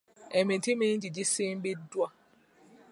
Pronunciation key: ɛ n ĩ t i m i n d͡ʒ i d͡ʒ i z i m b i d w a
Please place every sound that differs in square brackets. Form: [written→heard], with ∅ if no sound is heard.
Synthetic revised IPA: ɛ [n→m] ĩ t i m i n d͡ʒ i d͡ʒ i [z→s] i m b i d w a